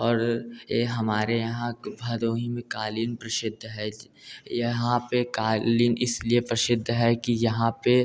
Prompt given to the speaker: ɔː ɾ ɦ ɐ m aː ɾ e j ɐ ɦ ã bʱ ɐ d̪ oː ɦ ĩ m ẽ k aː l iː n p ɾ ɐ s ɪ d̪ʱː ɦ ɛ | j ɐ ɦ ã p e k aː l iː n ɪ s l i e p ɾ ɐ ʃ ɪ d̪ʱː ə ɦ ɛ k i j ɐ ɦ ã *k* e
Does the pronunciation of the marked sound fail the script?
yes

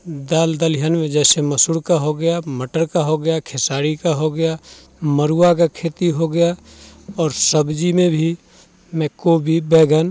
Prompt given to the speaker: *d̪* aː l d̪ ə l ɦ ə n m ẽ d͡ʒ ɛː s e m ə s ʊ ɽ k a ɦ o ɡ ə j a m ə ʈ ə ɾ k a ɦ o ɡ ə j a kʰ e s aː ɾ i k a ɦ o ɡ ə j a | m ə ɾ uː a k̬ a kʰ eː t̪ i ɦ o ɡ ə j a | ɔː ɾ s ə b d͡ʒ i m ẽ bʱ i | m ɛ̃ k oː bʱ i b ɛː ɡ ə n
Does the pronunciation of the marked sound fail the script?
no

